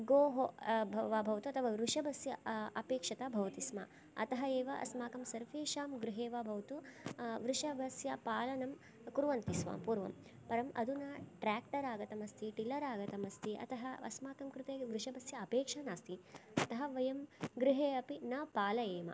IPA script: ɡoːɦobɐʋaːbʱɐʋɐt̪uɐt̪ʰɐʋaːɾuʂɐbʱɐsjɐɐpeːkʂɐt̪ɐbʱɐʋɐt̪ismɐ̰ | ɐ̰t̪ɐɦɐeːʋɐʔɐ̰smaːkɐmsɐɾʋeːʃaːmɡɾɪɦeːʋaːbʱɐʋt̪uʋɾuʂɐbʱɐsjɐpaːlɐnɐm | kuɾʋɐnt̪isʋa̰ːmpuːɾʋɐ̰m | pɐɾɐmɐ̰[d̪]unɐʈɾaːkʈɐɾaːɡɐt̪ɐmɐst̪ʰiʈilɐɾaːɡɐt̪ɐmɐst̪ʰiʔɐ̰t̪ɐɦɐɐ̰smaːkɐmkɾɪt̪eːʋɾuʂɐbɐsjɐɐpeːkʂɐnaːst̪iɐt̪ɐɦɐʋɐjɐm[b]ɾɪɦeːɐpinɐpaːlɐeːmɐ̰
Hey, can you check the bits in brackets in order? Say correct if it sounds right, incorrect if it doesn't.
correct, incorrect

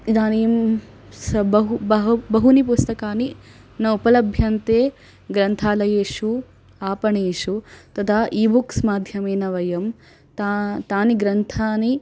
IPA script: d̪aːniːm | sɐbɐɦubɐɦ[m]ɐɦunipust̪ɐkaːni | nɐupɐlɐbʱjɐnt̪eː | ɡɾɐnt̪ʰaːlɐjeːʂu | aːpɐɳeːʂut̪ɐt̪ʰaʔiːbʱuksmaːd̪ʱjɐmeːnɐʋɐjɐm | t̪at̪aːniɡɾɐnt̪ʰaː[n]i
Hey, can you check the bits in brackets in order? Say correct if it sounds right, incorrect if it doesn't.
incorrect, correct

